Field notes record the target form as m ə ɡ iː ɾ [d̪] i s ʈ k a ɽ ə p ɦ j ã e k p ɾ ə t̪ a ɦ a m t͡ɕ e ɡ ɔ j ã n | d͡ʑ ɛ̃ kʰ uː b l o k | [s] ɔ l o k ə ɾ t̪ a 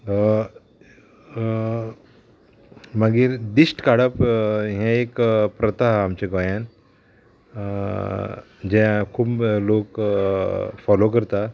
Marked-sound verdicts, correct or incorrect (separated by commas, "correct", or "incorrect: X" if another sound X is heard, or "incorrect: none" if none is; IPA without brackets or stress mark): correct, incorrect: f